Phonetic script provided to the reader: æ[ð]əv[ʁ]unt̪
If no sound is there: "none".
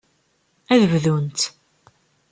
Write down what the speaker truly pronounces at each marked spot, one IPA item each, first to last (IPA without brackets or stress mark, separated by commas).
ð, ð